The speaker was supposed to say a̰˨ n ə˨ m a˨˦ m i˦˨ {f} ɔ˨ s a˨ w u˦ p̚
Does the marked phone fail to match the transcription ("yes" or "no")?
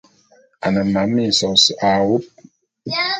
yes